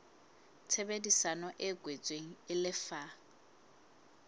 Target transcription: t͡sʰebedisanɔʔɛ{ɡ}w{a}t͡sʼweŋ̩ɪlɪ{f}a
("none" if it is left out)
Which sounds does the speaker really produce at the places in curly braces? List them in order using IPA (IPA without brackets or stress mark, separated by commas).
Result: ɡ, e, f